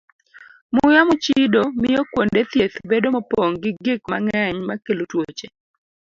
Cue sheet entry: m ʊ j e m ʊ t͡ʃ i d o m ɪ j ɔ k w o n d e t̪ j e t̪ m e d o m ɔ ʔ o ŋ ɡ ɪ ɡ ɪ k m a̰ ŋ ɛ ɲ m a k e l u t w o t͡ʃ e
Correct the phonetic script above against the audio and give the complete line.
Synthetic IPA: m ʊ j a m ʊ t͡ʃ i d o m ɪ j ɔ k w o n d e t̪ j e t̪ b e d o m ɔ p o ŋ ɡ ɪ ɡ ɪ k m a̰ ŋ ɛ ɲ m a k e l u t w o t͡ʃ e